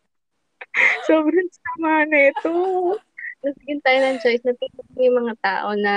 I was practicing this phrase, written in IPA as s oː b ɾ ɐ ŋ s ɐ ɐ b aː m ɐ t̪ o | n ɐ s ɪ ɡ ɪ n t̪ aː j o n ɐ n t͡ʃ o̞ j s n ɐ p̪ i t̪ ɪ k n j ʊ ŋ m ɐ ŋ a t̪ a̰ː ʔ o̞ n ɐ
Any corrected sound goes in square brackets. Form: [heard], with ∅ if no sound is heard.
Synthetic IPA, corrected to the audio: s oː b ɾ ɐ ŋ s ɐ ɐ [m] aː [n] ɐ t̪ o | n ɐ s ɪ ɡ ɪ n t̪ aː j o n ɐ [ŋ] t͡ʃ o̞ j s n ɐ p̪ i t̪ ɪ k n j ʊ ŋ m ɐ ŋ a t̪ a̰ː ʔ o̞ n ɐ